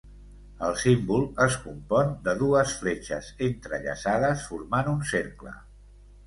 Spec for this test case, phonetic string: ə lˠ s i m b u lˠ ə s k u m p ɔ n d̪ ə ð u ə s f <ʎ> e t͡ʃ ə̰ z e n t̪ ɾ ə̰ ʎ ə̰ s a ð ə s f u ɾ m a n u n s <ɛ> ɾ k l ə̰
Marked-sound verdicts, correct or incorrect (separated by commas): incorrect, incorrect